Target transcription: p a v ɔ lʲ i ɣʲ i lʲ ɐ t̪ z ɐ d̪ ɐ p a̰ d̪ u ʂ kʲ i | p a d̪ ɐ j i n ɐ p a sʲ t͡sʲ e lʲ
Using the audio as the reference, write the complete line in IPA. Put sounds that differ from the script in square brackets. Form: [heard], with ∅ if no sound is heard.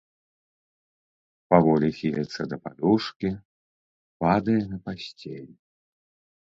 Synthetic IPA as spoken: p a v ɔ lʲ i [xʲ] i lʲ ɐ t̪ [s] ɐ d̪ ɐ p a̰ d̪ u ʂ kʲ i | p a d̪ ɐ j [ɛ] n ɐ p a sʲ t͡sʲ e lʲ